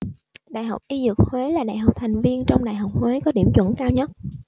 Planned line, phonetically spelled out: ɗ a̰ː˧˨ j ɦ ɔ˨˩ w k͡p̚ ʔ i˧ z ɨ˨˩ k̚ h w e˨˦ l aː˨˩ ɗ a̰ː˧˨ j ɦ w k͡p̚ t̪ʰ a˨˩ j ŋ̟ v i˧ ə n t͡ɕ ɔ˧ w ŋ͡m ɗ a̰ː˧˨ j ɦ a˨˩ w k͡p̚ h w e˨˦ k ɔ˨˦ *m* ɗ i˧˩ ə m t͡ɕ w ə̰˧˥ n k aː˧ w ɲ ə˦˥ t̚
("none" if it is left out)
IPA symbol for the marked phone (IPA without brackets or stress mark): none